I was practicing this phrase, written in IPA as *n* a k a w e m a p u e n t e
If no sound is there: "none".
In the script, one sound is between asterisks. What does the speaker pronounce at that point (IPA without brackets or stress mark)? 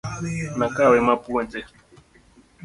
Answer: n